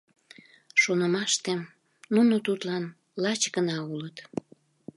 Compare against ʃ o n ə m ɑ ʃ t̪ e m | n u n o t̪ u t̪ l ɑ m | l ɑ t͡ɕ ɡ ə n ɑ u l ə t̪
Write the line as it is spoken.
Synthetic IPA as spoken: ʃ o n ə m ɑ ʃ t̪ e m | n u n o t̪ u t̪ l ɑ n | l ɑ t͡ɕ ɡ ə n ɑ u l ə t̪

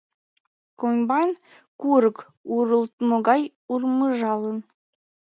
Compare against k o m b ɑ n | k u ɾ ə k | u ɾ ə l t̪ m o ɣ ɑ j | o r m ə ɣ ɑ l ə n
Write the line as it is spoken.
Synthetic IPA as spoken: k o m b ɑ n | k u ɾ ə k | u ɾ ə l t̪ m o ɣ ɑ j | u r m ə ʒ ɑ l ə n

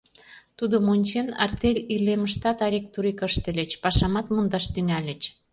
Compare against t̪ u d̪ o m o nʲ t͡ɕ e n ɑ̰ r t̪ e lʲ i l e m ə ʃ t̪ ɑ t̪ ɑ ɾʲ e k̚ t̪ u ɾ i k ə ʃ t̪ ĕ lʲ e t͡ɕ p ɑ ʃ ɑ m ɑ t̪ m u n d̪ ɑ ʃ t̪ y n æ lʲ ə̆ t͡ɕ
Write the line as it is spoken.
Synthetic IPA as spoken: t̪ u d̪ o m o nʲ t͡ɕ e n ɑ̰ r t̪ e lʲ i l e m ə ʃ t̪ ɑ t̪ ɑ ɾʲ e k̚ t̪ u ɾ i k ə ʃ t̪ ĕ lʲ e t͡ɕ p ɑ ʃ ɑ m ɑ t̪ m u n d̪ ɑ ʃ t̪ y ŋ æ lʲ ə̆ t͡ɕ

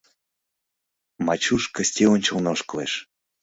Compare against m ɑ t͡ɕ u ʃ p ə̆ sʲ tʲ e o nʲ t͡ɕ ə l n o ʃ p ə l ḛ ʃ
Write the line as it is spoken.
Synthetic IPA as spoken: m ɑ t͡ɕ u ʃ k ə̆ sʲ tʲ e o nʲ t͡ɕ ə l n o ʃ k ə l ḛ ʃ

